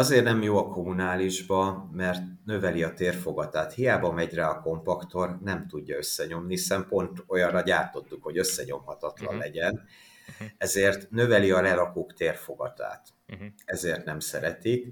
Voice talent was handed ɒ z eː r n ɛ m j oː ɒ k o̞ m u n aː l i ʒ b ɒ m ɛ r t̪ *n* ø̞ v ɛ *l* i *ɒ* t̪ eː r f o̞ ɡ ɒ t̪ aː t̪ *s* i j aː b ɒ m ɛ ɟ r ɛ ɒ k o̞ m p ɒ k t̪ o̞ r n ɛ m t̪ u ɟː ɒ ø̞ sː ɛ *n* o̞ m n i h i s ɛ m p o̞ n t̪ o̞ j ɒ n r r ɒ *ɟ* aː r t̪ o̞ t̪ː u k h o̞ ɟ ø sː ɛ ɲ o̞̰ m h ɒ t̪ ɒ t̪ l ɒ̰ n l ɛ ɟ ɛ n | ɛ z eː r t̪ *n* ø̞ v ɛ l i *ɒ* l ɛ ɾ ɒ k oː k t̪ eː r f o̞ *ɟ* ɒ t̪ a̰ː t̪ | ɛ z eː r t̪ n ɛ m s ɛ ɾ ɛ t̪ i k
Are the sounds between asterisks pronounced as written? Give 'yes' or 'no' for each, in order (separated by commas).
yes, yes, yes, no, no, yes, yes, yes, no